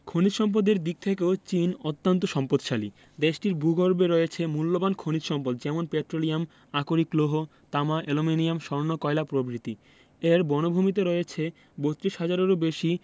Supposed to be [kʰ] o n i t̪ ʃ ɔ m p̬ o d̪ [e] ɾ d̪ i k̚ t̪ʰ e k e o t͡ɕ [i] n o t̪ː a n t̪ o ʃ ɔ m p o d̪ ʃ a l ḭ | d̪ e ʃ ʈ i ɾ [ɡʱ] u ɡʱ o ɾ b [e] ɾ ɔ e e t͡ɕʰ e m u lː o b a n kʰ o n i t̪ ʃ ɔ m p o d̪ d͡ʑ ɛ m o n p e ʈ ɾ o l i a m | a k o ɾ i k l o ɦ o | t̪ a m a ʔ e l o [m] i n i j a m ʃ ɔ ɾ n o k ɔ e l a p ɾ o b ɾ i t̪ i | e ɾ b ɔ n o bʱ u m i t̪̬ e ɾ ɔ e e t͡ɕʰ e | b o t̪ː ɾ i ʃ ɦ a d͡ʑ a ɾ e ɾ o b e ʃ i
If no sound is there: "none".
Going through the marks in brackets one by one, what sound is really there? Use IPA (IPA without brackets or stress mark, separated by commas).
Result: kʰ, e, i, bʱ, e, m